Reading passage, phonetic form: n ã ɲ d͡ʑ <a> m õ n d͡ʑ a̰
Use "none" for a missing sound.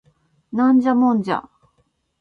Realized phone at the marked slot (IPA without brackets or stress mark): a